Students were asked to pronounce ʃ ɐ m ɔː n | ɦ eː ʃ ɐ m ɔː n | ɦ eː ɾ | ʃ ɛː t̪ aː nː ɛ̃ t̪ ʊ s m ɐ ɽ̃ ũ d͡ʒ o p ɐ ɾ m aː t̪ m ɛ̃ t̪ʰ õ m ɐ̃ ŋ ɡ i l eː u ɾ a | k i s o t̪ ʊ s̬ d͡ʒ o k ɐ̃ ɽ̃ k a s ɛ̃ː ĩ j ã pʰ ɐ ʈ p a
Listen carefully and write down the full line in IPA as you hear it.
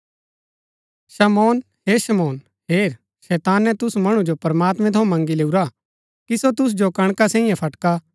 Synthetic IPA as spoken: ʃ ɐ m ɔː n | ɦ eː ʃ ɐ m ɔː n | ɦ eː ɾ | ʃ ɛː t̪ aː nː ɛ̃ t̪ ʊ s m ɐ ɽ̃ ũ d͡ʒ o p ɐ ɾ m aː t̪ m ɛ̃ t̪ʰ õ m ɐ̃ ŋ ɡ i l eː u ɾ a | k i s o t̪ ʊ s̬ d͡ʒ o k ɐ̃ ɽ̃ k a s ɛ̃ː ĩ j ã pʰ ɐ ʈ k a

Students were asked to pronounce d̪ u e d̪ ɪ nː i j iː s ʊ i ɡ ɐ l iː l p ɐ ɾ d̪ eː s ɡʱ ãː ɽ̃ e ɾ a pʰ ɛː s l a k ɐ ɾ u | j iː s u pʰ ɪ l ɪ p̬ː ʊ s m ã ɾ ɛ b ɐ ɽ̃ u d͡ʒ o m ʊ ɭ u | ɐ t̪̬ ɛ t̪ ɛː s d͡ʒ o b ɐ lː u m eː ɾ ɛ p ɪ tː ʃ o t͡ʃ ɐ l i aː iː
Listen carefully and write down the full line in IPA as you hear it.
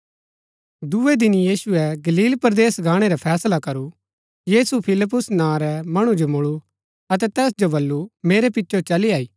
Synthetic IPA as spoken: d̪ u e d̪ ɪ n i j iː s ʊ ɛ ɡ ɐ l iː l p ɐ ɾ d̪ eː s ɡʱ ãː ɽ̃ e ɾ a pʰ ɛː s l a k ɐ ɾ u | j iː s u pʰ ɪ l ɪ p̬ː ʊ s n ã ɾ ɛ m ɐ ɽ̃ u d͡ʒ o m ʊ ɭ u | ɐ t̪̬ ɛ t̪ ɛː s d͡ʒ o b ɐ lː u m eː ɾ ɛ p ɪ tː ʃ o t͡ʃ ɐ l i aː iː

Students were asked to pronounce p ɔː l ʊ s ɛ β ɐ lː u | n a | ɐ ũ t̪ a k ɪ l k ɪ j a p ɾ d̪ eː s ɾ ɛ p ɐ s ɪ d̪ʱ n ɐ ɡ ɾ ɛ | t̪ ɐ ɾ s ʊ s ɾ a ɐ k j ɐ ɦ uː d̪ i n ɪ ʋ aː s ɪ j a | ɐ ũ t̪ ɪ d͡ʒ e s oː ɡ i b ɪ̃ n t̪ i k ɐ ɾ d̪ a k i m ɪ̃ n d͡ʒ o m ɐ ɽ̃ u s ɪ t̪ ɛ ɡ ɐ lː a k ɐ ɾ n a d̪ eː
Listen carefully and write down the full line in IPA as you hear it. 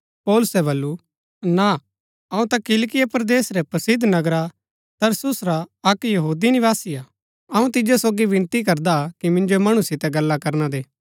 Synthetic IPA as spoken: p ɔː l ʊ s ɛ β ɐ lː u | n a | ɐ ũ t̪ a k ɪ l k ɪ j a p ɾ d̪ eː s ɾ ɛ p ɐ s ɪ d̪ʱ n ɐ ɡ ɾ a | t̪ ɐ ɾ s ʊ s ɾ a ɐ k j ɐ ɦ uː d̪ i n ɪ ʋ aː s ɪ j a | ɐ ũ t̪ ɪ d͡ʒ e s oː ɡ i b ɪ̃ n t̪ i k ɐ ɾ d̪ a k i m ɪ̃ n d͡ʒ o m ɐ ɽ̃ u s ɪ t̪ ɛ ɡ ɐ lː a k ɐ ɾ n a d̪ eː

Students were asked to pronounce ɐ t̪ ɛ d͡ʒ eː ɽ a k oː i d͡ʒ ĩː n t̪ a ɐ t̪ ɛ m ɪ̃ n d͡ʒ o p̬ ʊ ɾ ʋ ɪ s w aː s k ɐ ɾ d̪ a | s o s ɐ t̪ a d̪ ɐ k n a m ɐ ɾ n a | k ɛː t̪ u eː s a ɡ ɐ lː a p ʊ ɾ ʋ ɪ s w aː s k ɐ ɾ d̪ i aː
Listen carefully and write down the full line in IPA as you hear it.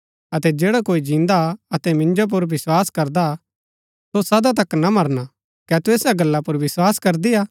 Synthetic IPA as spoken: ɐ t̪ ɛ d͡ʒ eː ɽ a k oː i d͡ʒ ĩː n d̪ a ɐ t̪ ɛ m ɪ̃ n d͡ʒ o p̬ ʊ ɾ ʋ ɪ s w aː s k ɐ ɾ d̪ a | s o s ɐ d̪ a t̪ ɐ k n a m ɐ ɾ n a | k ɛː t̪ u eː s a ɡ ɐ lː a p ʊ ɾ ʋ ɪ s w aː s k ɐ ɾ d̪ i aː

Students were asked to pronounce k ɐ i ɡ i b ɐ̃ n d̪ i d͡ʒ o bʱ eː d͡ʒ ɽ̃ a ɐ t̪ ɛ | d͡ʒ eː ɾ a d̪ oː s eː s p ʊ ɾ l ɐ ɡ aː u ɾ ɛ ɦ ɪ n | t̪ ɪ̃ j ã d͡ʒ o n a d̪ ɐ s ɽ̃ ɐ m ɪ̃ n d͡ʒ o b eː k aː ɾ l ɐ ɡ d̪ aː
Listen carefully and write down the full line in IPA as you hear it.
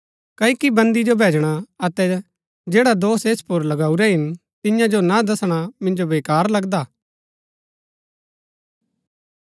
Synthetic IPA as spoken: k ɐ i k i b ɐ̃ n d̪ i d͡ʒ o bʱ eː d͡ʒ ɽ̃ a ɐ t̪ ɛ | d͡ʒ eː ɽ a d̪ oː s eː s p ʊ ɾ l ɐ ɡ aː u ɾ ɛ ɦ ɪ n | t̪ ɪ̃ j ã d͡ʒ o n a d̪ ɐ s ɽ̃ a m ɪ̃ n d͡ʒ o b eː k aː ɾ l ɐ ɡ d̪ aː

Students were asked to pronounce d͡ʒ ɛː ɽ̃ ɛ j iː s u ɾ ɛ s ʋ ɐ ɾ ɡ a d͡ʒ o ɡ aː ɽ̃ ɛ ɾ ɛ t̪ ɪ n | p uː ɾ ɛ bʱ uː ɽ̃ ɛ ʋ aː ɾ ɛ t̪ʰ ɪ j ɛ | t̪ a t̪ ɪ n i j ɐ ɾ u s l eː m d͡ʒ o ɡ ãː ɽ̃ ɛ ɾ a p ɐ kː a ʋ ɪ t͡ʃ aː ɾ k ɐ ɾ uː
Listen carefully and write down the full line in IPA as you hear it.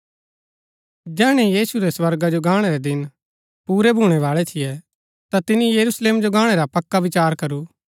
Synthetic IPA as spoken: d͡ʒ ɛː ɽ̃ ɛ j iː s u ɾ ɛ s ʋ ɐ ɾ ɡ a d͡ʒ o ɡ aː ɽ̃ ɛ ɾ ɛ d̪ ɪ n | p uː ɾ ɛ bʱ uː ɽ̃ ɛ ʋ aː ɭ ɛ t̪ʰ ɪ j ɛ | t̪ a t̪ ɪ n i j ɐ ɾ u s l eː m d͡ʒ o ɡ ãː ɽ̃ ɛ ɾ a p ɐ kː a ʋ ɪ t͡ʃ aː ɾ k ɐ ɾ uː

